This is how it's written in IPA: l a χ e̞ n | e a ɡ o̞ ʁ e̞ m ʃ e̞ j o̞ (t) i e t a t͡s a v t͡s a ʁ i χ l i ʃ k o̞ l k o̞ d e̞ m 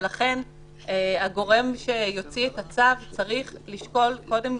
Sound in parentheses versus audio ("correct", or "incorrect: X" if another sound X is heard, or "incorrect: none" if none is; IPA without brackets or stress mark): incorrect: t͡s